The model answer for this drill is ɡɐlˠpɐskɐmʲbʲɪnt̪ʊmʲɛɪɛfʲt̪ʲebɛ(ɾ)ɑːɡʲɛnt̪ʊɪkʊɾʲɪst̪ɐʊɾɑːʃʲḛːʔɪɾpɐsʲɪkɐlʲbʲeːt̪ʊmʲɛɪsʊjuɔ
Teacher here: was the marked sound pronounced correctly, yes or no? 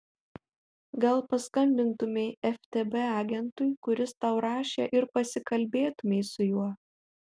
no